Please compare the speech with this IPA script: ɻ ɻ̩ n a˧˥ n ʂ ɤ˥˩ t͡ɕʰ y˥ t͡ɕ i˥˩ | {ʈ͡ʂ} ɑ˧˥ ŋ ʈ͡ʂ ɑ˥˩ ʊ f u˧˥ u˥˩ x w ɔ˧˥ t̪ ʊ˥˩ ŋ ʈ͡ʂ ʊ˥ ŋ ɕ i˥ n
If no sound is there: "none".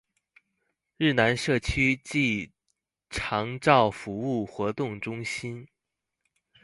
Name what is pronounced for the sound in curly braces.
ʈ͡ʂʰ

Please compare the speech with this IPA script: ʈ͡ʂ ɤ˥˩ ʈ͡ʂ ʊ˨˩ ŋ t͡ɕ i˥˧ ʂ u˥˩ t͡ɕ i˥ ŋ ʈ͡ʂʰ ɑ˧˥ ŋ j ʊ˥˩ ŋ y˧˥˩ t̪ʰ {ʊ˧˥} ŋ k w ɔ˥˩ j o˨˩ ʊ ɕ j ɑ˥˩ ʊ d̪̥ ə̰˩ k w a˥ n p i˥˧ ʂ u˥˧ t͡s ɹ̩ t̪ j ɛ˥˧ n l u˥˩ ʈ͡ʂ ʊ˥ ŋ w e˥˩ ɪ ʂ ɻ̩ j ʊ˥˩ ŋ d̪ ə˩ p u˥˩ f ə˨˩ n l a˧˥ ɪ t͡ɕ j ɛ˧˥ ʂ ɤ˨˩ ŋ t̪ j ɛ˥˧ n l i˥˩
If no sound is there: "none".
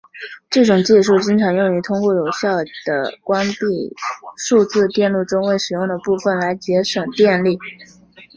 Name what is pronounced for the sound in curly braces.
ʊ˥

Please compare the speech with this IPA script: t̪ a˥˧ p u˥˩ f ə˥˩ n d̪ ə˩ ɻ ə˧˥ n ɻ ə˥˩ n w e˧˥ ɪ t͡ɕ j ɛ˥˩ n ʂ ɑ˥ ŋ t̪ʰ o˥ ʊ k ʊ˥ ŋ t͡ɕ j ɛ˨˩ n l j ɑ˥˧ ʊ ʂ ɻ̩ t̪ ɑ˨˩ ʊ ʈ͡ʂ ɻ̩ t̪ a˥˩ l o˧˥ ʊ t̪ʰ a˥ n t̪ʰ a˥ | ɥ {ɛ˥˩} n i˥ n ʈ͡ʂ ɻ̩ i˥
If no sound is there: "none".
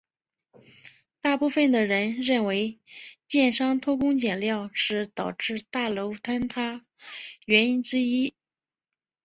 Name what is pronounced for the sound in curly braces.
ɛ˧˥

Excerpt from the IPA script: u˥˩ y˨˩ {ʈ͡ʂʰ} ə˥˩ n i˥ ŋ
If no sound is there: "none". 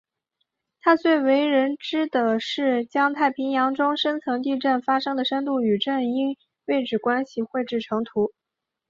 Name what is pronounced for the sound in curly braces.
ʈ͡ʂ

